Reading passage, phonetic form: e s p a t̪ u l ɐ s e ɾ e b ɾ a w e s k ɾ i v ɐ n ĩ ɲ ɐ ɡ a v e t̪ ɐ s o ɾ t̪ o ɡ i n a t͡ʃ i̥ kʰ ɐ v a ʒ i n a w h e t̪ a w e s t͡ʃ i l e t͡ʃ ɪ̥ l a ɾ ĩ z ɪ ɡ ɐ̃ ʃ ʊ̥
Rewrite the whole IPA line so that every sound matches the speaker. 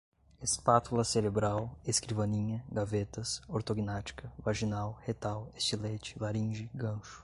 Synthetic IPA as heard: e s p a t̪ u l ɐ s e ɾ e b ɾ a w e s k ɾ i v ɐ n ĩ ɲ ɐ ɡ a v e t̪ ɐ s o ɾ t̪ o ɡ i n a t͡ʃ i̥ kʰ ɐ v a ʒ i n a w h e t̪ a w e s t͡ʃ i l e t͡ʃ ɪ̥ l a ɾ ĩ ʒ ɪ ɡ ɐ̃ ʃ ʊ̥